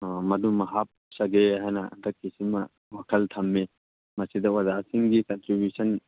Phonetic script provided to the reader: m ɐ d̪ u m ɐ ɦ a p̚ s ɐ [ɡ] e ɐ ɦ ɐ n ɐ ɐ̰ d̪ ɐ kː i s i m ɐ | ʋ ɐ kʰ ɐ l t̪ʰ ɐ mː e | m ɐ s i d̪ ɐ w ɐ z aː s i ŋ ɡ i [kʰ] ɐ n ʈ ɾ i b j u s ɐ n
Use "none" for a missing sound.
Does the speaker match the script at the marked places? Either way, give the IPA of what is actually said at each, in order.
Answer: ɡ, k

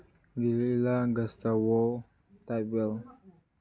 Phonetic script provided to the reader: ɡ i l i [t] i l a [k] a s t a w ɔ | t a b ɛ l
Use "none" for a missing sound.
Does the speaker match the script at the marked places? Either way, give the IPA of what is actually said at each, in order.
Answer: none, ɡ

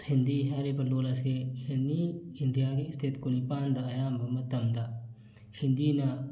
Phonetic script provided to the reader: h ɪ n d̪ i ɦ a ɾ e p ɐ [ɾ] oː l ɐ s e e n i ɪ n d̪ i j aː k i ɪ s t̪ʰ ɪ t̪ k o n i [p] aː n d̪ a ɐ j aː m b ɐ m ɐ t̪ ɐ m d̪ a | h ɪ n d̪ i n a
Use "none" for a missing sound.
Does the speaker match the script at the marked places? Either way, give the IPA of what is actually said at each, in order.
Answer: l, p

